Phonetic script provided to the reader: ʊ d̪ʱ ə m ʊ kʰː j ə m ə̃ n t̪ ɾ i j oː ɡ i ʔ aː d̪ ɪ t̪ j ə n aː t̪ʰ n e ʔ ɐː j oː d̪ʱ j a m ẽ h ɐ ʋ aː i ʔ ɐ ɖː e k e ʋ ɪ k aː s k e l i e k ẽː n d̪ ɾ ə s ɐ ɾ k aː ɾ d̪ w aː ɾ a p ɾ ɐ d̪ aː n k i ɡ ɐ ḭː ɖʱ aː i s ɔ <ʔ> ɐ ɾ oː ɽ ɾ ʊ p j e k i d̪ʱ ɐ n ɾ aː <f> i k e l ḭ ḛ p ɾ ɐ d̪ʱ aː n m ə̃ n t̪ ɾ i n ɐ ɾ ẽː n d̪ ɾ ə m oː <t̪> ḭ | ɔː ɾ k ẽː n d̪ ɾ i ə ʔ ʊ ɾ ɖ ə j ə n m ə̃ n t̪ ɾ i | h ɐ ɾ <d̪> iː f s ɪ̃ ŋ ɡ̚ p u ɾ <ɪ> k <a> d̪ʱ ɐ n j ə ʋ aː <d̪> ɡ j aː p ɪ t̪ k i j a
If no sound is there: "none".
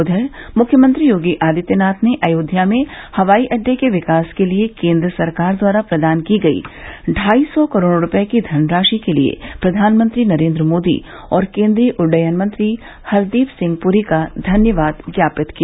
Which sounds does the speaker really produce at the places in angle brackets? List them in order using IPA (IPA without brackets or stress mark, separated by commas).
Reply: k, ʃ, d̪, d̪, i, a, d̪